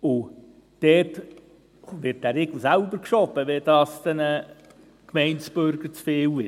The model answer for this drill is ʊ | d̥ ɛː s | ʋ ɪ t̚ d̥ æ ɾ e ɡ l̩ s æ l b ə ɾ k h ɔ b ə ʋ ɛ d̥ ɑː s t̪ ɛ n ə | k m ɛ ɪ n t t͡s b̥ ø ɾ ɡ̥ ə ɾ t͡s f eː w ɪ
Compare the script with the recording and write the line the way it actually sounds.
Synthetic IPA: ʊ | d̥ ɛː t | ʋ ɪ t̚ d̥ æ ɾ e ɡ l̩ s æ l b ə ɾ k ʃ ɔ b ə ʋ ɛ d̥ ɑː s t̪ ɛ n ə | k m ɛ ɪ n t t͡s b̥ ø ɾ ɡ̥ ə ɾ t͡s f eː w ɪ